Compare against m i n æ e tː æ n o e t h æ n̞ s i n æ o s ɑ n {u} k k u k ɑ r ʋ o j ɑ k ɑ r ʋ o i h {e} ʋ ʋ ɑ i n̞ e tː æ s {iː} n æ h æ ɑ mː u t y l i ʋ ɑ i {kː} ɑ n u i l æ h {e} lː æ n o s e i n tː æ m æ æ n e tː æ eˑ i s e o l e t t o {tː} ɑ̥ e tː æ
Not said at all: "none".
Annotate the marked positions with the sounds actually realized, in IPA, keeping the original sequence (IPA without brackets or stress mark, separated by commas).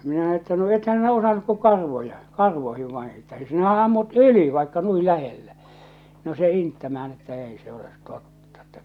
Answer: u, i, i, kː, e, tː